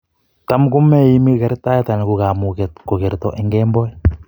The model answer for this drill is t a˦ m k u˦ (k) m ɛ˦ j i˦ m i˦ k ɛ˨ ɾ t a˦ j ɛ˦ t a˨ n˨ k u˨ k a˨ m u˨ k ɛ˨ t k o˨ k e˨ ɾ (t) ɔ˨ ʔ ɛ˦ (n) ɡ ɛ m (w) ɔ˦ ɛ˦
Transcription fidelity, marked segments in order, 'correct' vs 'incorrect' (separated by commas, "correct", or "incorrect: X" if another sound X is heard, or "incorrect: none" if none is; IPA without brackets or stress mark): incorrect: none, correct, incorrect: ŋ, incorrect: b